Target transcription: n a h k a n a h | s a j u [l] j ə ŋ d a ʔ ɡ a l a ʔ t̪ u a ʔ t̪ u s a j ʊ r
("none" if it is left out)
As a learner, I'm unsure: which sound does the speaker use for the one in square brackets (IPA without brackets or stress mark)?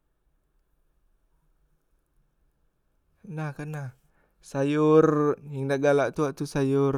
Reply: r